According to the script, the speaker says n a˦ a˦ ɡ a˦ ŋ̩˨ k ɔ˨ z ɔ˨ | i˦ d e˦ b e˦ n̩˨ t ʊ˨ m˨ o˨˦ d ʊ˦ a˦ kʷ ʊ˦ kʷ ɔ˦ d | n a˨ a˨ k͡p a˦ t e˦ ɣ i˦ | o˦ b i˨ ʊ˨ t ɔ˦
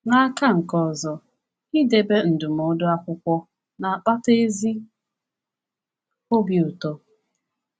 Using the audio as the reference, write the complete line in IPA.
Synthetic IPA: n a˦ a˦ k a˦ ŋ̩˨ k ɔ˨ z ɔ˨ | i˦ d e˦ b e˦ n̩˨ d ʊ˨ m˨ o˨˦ d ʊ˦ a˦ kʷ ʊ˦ kʷ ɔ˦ | n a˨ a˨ k͡p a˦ t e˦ z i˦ | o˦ b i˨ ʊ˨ t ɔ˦